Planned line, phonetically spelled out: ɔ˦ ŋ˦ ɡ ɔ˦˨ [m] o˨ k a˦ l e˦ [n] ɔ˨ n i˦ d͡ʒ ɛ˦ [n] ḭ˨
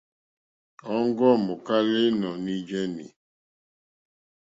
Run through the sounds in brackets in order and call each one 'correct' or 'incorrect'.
correct, correct, correct

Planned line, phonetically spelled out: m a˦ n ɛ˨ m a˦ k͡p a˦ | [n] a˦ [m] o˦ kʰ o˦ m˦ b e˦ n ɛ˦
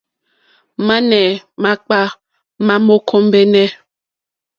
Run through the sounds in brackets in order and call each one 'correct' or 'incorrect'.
incorrect: m, correct

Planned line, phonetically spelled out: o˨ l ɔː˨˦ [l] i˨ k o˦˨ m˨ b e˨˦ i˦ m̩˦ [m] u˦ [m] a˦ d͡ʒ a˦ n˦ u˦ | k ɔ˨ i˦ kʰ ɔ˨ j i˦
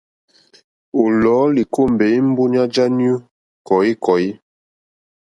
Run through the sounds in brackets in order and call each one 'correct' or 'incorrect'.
correct, incorrect: b, incorrect: ɲ

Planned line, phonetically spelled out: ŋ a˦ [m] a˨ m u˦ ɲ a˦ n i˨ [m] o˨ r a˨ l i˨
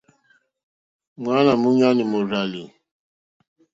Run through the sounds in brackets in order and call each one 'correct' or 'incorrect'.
incorrect: n, correct

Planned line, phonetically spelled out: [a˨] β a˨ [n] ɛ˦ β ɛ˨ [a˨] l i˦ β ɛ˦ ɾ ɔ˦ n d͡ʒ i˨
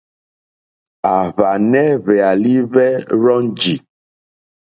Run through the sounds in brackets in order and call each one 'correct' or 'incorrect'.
correct, correct, correct

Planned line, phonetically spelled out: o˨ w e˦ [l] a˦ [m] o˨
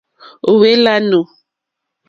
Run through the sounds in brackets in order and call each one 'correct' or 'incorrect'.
correct, incorrect: n

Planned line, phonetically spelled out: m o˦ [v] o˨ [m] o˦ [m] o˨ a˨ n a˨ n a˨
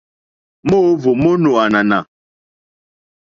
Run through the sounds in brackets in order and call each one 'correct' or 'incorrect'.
correct, correct, incorrect: n

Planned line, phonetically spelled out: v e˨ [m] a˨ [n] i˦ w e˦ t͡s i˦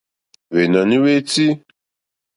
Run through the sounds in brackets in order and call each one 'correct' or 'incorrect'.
incorrect: n, correct

